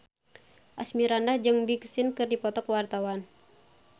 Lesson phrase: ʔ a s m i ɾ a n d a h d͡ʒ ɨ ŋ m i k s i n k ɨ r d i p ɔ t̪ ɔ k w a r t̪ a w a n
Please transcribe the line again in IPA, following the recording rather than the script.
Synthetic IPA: ʔ a s m i ɾ a n d a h d͡ʒ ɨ ŋ b i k s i n k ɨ r d i p ɔ t̪ ɔ k w a r t̪ a w a n